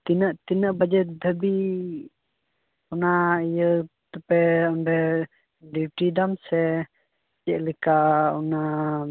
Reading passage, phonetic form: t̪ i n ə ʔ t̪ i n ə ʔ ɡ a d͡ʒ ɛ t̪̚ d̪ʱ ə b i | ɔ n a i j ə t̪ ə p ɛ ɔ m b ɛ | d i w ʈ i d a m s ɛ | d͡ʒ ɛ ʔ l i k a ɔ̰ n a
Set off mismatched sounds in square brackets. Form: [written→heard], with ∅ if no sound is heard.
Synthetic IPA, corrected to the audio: t̪ i n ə ʔ t̪ i n ə ʔ [ɡ→b] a d͡ʒ ɛ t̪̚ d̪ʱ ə b i | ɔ n a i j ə t̪ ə p ɛ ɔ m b ɛ | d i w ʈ i d a m s ɛ | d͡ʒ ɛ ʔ l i k a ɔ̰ n a